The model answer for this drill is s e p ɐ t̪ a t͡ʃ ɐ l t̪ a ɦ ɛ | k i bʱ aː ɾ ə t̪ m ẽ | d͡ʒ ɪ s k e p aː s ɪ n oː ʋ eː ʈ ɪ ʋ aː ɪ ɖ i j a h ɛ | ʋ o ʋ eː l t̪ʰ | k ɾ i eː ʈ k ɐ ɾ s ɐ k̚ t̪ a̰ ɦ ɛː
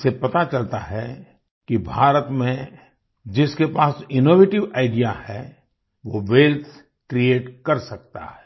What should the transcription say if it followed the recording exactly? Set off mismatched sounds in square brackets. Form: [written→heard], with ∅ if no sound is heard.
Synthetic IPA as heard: s e p ɐ t̪ a t͡ʃ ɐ l t̪ a ɦ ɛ | k i bʱ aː ɾ ə t̪ m ẽ | d͡ʒ ɪ s k e p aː s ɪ n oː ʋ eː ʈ ɪ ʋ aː ɪ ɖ i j a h ɛ | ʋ o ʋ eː l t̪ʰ | k ɾ i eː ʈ k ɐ ɾ s ɐ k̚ t̪ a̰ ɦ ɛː